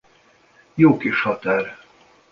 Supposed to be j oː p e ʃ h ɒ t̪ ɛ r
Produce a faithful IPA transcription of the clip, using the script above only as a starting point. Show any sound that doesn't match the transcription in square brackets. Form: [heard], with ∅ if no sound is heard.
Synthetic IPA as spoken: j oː [k] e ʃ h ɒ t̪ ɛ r